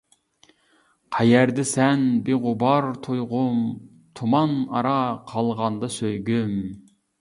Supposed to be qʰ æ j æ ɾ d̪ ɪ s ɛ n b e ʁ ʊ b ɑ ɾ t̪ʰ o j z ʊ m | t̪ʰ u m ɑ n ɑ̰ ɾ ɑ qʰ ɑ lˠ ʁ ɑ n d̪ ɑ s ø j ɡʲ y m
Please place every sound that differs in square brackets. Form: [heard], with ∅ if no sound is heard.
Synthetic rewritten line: qʰ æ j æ ɾ d̪ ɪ s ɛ n b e ʁ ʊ b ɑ ɾ t̪ʰ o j [ʁ] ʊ m | t̪ʰ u m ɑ n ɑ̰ ɾ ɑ qʰ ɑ lˠ ʁ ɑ n d̪ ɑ s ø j ɡʲ y m